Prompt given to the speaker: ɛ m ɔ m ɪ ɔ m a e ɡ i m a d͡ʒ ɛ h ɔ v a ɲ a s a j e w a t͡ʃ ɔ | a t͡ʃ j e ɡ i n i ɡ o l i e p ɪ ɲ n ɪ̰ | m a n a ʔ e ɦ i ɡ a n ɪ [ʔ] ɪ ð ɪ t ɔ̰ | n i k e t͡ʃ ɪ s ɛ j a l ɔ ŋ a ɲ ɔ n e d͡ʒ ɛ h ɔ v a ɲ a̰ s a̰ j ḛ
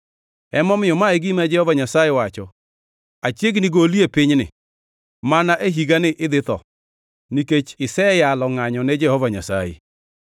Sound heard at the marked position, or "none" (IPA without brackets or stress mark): ʔ